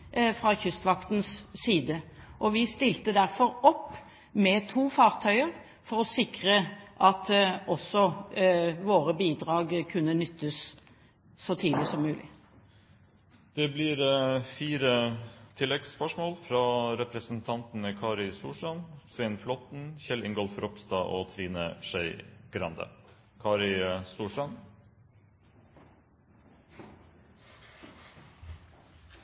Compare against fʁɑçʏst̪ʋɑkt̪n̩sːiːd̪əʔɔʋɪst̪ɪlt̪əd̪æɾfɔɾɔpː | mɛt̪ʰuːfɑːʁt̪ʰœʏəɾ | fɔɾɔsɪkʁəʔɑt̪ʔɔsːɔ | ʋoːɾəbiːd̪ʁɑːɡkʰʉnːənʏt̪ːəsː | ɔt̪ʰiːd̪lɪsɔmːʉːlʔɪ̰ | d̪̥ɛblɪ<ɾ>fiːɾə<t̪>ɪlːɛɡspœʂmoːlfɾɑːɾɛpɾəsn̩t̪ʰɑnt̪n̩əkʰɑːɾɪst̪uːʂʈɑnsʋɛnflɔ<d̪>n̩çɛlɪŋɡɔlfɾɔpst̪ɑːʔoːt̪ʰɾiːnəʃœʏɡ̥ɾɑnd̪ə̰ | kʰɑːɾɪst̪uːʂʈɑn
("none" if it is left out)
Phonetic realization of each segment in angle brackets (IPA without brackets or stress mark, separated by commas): ɾ, t̪ʰ, t̪